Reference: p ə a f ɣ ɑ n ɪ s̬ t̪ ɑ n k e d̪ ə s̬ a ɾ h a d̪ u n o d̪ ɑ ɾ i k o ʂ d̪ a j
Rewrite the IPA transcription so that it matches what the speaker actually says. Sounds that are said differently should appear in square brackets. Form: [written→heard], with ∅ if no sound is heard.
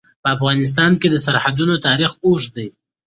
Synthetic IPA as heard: p ə a f ɣ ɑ n ɪ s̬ t̪ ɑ n k e d̪ ə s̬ a ɾ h a d̪ u n o [d̪→t̪] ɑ ɾ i [k→x] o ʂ d̪ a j